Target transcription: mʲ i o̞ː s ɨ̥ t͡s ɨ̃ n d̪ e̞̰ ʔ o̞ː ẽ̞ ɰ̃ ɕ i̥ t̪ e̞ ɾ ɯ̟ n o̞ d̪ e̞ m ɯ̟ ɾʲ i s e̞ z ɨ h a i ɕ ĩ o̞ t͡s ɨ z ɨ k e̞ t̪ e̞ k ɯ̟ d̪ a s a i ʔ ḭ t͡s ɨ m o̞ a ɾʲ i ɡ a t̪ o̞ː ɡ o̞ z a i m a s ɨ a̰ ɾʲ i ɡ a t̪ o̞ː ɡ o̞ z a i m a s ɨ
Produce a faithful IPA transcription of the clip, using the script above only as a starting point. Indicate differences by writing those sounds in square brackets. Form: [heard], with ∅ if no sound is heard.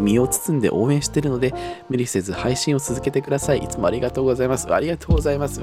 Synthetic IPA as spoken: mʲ i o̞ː [t͡s] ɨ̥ t͡s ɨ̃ n d̪ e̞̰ ʔ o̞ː ẽ̞ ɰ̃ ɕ i̥ t̪ e̞ ɾ ɯ̟ n o̞ d̪ e̞ m ɯ̟ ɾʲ i s e̞ z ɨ h a i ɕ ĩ o̞ t͡s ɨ z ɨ k e̞ t̪ e̞ k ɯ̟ d̪ a s a i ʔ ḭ t͡s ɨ m o̞ a ɾʲ i ɡ a t̪ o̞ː ɡ o̞ z a i m a s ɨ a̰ ɾʲ i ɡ a t̪ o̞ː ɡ o̞ z a i m a s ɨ